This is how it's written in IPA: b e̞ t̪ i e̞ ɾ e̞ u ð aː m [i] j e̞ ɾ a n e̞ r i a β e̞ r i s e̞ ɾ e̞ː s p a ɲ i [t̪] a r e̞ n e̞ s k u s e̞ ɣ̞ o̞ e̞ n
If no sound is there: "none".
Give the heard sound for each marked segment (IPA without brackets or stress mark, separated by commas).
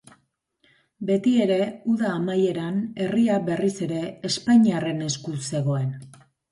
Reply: a, none